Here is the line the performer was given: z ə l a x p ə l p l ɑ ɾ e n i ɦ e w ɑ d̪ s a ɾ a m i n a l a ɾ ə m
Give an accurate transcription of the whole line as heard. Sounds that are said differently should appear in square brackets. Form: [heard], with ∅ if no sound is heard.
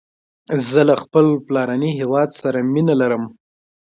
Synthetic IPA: z ə l a x p ə l p l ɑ ɾ [a] n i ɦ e w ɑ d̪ s a ɾ a m i n a l a ɾ ə m